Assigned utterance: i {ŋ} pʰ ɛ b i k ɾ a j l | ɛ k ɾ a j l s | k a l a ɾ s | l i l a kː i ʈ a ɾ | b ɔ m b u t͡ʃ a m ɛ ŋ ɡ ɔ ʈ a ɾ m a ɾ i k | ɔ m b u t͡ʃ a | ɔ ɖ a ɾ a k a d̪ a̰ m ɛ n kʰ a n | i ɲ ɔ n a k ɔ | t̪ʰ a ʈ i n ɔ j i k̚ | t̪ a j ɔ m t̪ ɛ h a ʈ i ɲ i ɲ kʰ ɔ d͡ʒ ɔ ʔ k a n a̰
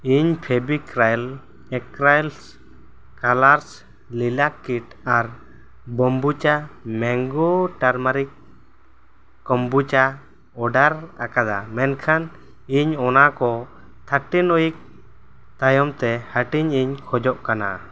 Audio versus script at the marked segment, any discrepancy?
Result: yes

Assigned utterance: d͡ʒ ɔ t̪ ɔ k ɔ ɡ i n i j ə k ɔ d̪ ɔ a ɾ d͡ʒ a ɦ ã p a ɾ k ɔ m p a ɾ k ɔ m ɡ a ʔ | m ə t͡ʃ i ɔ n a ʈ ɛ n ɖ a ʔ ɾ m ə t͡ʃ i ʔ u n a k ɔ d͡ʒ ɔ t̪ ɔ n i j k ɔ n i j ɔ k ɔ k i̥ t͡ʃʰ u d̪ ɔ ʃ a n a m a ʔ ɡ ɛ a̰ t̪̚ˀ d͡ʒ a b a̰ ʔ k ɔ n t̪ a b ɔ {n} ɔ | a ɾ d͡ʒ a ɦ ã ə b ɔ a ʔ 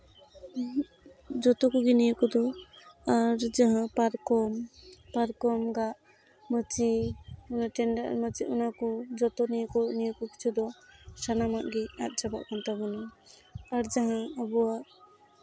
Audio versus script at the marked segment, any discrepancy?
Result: no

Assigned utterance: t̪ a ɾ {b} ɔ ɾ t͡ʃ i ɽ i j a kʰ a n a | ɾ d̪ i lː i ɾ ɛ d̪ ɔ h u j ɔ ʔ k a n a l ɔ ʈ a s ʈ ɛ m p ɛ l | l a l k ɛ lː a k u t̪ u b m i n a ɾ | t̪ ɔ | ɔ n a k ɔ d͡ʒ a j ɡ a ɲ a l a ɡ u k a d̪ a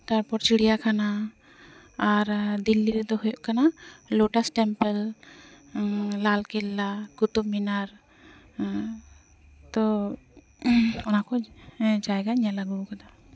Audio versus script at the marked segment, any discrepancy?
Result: yes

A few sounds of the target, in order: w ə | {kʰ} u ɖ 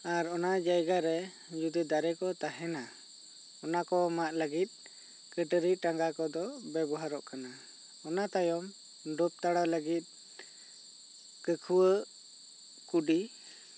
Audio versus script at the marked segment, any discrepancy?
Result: yes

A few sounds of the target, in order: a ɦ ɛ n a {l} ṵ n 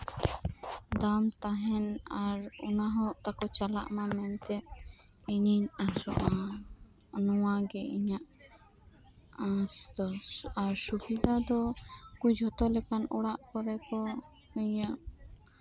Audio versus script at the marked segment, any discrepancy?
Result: yes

